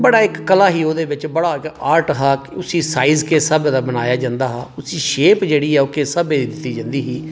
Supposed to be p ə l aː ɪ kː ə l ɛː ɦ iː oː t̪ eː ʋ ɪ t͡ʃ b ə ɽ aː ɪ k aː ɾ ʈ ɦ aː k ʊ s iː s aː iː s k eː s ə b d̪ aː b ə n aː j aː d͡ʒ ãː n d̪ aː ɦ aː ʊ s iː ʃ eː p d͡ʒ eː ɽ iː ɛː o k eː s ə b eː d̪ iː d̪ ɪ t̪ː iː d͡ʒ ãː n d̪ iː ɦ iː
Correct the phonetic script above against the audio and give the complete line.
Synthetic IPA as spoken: b ə ɽ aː ɪ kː ə l aː ɦ iː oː d̪ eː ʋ ɪ t͡ʃ b ə ɽ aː ɪ k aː ɾ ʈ ɦ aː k ʊ s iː s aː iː z k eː s ə b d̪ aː b ə n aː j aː d͡ʒ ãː n d̪ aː ɦ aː ʊ s iː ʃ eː p d͡ʒ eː ɽ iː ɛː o k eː s ə b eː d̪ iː d̪ ɪ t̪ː iː d͡ʒ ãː n d̪ iː ɦ iː